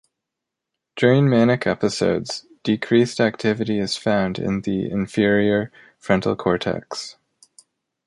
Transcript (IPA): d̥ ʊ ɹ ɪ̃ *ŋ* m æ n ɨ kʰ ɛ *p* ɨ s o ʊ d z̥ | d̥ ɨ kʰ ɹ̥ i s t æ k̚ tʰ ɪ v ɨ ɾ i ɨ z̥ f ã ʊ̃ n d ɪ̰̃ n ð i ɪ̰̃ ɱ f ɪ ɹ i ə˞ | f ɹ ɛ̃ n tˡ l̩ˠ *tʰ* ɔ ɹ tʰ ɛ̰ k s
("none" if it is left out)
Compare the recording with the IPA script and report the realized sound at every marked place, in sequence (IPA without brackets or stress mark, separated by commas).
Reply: ŋ, p, kʰ